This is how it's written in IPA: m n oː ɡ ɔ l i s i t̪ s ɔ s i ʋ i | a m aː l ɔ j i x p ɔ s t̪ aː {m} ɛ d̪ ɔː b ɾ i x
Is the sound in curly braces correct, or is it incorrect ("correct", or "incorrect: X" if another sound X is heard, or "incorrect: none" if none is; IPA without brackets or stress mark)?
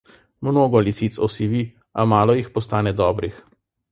incorrect: n